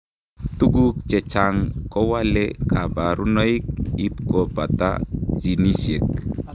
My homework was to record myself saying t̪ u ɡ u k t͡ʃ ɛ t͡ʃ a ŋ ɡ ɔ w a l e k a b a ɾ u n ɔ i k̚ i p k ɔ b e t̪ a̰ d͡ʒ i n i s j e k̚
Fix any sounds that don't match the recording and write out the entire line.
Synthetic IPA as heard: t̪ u ɡ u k t͡ʃ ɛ t͡ʃ a ŋ k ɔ w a l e k a b a ɾ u n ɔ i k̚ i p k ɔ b a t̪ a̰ d͡ʒ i n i s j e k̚